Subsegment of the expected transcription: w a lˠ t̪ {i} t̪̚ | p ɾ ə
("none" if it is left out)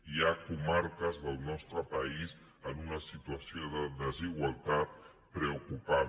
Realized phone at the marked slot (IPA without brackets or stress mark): a